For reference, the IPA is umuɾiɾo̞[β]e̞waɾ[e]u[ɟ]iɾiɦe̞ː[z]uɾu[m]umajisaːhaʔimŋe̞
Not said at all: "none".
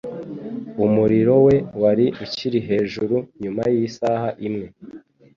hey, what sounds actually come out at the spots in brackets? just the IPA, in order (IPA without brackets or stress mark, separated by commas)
w, i, c, ʒ, ɲ